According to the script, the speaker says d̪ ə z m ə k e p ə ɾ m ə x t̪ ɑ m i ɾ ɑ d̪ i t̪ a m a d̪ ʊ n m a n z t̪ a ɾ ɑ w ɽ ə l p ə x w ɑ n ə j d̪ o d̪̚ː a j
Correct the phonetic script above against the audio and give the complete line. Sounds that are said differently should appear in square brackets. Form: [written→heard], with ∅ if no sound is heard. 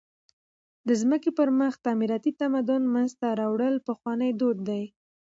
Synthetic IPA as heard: d̪ ə z m ə k e p ə ɾ m ə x t̪ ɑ m i ɾ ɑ [d̪→t̪] i t̪ a m a d̪ ʊ n m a n z t̪ a ɾ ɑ w ɽ ə l p ə x w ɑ n ə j d̪ o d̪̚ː a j